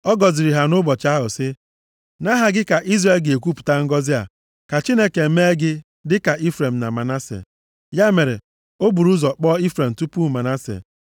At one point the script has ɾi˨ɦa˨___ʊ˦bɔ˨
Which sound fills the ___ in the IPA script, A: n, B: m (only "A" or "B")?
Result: A